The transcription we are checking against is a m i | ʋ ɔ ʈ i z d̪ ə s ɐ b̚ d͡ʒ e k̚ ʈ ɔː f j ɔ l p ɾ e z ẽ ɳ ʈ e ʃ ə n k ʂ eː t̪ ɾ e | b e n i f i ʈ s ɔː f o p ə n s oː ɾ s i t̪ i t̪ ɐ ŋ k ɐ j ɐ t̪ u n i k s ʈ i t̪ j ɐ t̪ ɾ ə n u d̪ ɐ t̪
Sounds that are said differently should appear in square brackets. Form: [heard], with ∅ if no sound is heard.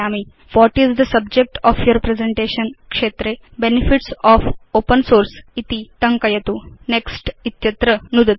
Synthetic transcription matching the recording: a m i | ʋ ɔ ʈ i z d̪ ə s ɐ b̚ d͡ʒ e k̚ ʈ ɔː f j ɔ [ɾ] p ɾ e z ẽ ɳ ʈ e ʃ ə n k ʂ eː t̪ ɾ e | b e n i f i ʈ s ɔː f o p ə n s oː ɾ s i t̪ i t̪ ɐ ŋ k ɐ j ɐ t̪ u n [e] k s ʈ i t̪ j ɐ t̪ ɾ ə n u d̪ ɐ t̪

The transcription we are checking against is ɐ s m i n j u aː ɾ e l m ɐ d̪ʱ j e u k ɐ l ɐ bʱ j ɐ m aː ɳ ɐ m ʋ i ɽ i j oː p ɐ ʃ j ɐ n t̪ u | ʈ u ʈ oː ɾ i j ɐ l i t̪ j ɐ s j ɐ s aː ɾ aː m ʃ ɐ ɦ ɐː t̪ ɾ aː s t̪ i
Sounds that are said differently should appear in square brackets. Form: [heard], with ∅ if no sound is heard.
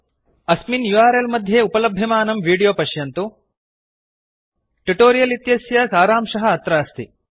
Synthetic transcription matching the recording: ɐ s m i n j u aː ɾ e l m ɐ d̪ʱ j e u [p] ɐ l ɐ bʱ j ɐ m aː [n] ɐ m ʋ [iː] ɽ i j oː p ɐ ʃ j ɐ n t̪ u | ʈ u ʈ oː ɾ i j ɐ l i t̪ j ɐ s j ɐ s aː ɾ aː m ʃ ɐ ɦ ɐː t̪ ɾ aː s t̪ i

